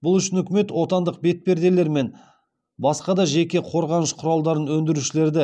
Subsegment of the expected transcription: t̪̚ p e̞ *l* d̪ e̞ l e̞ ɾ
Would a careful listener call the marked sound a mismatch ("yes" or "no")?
yes